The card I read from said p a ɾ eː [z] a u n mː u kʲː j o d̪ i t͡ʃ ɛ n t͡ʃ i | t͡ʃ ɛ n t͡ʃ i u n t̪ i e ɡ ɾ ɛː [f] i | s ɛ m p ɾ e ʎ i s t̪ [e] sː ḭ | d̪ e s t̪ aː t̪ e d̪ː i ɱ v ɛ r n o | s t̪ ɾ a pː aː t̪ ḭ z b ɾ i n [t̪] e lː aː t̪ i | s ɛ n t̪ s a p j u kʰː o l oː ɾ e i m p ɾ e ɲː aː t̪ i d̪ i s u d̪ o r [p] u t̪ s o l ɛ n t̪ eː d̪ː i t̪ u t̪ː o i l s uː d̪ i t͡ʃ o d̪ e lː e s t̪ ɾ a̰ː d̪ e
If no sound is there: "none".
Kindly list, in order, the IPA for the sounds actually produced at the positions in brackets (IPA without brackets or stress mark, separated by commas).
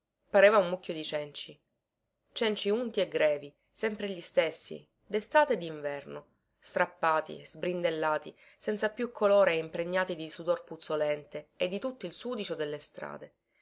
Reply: v, v, e, d̪, p